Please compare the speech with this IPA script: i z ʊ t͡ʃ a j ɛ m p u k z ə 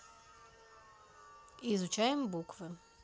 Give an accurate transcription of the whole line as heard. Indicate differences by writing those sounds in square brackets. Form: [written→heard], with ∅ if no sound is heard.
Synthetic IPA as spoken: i z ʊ t͡ʃ a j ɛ m [p→b] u k [z→v] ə